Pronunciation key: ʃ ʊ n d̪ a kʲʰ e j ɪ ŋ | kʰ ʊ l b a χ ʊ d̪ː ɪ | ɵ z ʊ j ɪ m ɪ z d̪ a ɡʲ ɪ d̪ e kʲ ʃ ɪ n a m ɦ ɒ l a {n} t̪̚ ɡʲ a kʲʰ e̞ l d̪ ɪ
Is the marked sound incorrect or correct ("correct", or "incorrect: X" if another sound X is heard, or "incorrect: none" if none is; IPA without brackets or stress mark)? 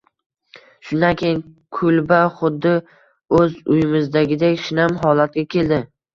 incorrect: none